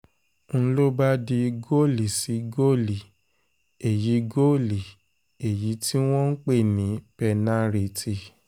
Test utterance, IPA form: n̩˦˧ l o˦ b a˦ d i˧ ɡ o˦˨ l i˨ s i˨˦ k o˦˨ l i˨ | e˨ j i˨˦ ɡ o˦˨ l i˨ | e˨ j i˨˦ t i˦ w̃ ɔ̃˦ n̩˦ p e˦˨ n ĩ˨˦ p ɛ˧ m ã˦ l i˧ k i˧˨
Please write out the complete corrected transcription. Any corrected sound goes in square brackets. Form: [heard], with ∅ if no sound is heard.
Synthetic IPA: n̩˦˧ l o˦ b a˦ d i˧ ɡ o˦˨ l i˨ s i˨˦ [ɡ] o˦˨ l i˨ | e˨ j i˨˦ ɡ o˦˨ l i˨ | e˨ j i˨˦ t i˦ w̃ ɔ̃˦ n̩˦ [k͡p] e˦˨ n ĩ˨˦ p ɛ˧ [n] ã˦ [ɾ] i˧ [t] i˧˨